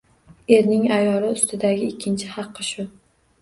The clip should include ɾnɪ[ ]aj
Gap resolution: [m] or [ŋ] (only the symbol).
ŋ